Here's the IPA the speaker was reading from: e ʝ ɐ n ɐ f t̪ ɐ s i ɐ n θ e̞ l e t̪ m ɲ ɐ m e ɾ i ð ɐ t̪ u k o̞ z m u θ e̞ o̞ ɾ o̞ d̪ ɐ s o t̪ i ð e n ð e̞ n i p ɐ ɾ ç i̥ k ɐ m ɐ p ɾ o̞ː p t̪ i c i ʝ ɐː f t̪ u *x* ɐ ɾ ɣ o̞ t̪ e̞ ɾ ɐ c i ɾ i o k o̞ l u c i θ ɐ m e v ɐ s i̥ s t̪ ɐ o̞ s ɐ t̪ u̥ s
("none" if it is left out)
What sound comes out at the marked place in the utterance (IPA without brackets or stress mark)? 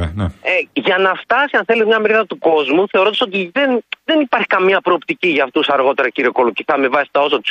s